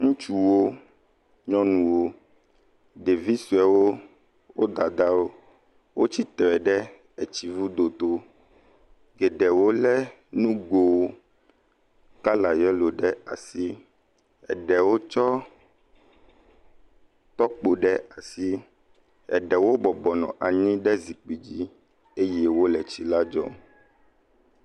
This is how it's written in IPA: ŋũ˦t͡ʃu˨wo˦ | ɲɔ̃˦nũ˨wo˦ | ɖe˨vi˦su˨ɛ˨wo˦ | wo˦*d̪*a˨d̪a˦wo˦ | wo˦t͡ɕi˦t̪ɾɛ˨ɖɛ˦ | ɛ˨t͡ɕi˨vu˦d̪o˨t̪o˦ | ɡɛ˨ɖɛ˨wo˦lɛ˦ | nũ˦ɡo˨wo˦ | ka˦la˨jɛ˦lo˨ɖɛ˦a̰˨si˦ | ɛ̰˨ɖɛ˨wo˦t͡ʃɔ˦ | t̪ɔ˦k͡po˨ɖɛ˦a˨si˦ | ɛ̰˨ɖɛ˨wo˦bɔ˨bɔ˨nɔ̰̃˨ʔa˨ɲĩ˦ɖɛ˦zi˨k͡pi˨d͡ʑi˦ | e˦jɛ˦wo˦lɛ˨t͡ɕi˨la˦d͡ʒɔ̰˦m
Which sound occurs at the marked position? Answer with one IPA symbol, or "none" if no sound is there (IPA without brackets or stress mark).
d̪